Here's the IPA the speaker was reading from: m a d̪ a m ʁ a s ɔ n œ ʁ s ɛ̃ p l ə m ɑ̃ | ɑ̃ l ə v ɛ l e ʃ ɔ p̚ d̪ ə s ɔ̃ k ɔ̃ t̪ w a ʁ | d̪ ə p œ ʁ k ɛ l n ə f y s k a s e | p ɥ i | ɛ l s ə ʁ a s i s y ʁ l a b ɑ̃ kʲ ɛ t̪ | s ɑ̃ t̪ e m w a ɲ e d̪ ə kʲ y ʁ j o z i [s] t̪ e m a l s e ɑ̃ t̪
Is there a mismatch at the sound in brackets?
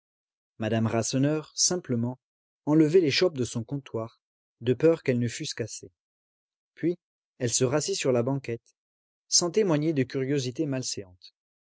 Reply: yes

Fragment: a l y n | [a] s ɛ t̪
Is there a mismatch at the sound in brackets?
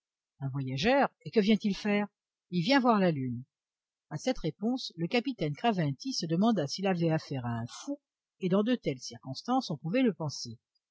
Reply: no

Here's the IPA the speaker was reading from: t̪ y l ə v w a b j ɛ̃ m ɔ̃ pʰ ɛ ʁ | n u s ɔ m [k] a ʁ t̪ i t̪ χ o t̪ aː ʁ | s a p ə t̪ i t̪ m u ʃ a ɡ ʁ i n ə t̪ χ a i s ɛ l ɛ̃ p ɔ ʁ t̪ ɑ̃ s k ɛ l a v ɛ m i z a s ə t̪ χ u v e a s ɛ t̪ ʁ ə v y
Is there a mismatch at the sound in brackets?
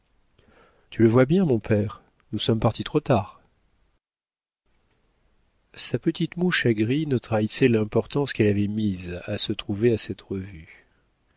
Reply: yes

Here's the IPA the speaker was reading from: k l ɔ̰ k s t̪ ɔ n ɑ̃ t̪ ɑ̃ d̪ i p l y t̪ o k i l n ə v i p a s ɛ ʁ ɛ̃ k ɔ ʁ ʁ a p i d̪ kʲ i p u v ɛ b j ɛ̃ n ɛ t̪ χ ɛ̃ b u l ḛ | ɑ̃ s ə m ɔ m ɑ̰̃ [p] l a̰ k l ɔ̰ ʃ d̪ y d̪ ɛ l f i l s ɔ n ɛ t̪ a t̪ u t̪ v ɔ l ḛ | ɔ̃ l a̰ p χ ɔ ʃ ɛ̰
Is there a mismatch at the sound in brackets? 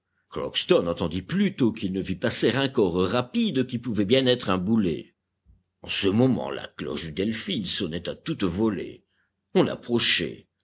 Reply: yes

